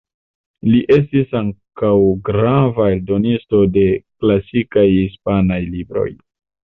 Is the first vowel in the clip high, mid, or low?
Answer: high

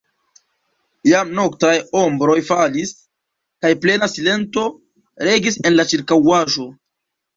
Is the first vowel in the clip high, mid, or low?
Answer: low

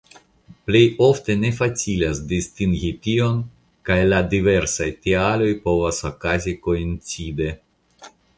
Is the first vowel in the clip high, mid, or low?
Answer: mid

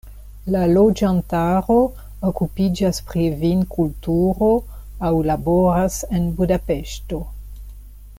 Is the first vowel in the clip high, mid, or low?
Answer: low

